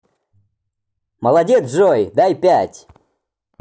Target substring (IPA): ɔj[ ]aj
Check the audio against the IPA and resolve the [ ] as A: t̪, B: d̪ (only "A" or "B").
B